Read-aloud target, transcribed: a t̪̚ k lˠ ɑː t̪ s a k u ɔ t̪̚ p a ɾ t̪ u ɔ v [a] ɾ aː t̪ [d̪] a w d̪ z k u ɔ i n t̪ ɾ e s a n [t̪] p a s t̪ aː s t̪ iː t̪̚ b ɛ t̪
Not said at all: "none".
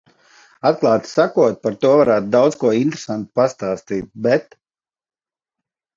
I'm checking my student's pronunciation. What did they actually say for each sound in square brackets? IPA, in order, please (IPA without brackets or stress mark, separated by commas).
a, d̪, t̪